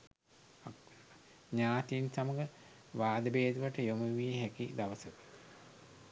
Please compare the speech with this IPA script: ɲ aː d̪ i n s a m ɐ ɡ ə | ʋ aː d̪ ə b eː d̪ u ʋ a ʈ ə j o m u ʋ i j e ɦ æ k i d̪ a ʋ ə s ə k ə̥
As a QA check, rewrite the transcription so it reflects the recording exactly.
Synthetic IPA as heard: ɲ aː t̪ i n s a m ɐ ɡ ə | ʋ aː d̪ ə b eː d̪ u ʋ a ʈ ə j o m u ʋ i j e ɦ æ k i d̪ a ʋ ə s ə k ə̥